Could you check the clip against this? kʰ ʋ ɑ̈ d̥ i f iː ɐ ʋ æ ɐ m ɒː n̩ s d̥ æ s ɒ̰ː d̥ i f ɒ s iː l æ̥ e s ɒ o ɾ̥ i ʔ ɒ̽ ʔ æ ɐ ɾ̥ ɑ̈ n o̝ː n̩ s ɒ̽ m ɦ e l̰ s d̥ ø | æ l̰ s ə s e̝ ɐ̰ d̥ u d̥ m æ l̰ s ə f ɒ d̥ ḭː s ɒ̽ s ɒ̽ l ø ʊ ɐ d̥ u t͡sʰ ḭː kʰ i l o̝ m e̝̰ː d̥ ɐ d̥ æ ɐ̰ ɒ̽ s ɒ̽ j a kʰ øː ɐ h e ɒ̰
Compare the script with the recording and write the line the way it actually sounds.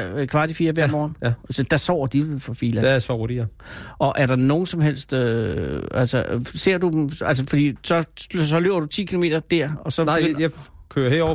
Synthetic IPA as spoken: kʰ ʋ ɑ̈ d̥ i f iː ɐ ʋ æ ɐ m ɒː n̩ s d̥ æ s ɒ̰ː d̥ i f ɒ f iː l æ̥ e s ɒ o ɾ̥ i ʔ ɒ̽ ʔ æ ɐ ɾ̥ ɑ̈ n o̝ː n̩ s ɒ̽ m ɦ e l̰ s d̥ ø | æ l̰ s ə s e̝ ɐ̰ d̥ u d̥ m æ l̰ s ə f ɒ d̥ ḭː s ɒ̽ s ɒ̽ l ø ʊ ɐ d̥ u t͡sʰ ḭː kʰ i l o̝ m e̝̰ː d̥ ɐ d̥ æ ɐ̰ ɒ̽ s ɒ̽ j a kʰ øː ɐ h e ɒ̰